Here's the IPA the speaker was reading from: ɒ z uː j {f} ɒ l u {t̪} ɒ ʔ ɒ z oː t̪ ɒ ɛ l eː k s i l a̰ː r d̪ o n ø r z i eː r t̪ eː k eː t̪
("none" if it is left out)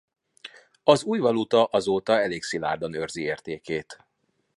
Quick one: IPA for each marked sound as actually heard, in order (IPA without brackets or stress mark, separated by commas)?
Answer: v, t̪